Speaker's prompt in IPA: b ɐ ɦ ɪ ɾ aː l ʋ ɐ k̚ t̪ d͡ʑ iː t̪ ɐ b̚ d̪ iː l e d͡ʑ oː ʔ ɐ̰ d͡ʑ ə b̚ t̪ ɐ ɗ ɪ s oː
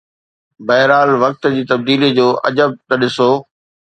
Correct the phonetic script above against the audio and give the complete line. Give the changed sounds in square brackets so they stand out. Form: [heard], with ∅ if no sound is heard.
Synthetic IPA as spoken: b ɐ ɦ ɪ ɾ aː l ʋ ɐ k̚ t̪ d͡ʑ iː t̪ ɐ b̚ d̪ iː l [i] d͡ʑ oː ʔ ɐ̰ d͡ʑ ə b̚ t̪ ɐ ɗ ɪ s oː